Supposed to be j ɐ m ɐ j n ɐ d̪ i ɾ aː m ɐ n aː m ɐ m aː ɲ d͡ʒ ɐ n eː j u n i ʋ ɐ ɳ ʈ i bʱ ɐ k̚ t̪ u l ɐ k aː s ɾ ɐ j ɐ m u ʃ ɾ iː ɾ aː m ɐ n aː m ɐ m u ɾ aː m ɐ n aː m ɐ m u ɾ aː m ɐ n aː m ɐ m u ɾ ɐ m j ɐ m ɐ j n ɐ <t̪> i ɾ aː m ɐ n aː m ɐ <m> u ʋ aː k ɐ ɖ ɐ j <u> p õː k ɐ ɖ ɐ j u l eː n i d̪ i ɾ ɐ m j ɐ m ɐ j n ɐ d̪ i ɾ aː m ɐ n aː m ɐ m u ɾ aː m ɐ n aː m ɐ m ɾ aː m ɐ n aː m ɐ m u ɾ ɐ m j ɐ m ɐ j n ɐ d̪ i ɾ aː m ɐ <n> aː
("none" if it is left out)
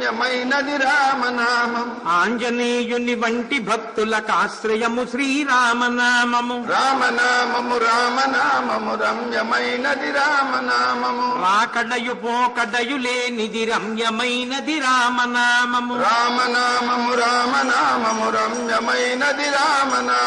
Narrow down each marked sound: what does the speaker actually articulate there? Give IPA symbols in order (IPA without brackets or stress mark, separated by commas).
d̪, m, u, n